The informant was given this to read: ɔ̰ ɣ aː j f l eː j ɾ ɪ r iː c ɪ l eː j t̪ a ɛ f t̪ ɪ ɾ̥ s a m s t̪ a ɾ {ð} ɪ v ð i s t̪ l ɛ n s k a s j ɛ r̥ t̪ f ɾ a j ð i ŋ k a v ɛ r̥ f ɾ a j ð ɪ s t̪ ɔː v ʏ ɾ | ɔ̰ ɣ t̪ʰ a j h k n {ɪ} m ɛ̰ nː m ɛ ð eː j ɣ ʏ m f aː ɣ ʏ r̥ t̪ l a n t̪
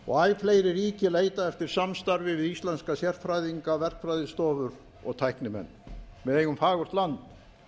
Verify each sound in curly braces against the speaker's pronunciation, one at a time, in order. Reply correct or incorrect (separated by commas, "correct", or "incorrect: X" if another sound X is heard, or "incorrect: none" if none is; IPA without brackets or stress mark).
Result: incorrect: v, correct